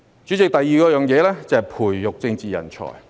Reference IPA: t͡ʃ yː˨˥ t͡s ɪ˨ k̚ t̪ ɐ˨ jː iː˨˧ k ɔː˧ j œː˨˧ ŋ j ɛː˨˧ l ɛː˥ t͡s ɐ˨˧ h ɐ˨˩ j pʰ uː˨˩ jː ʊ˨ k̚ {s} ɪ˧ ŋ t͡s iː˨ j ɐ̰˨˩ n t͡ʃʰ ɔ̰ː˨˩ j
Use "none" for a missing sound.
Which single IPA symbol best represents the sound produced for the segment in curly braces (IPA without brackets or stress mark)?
t͡s